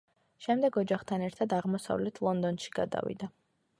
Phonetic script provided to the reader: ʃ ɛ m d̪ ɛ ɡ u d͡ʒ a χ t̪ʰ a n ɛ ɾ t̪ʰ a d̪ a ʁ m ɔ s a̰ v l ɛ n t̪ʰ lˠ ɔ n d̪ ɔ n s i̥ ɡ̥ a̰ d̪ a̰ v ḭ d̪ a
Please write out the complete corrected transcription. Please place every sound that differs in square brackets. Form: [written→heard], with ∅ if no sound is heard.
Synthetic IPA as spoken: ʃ ɛ m d̪ ɛ ɡ [u→ɔ] d͡ʒ a χ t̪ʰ a n ɛ ɾ t̪ʰ a d̪ a ʁ m ɔ s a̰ v l ɛ [n→∅] t̪ʰ lˠ ɔ n d̪ ɔ n [s→ʃ] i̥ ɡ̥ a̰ d̪ a̰ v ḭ d̪ a